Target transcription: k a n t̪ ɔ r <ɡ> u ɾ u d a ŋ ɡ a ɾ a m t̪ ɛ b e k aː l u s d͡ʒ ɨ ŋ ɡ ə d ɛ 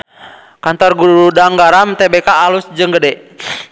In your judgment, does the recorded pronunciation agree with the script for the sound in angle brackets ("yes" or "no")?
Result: yes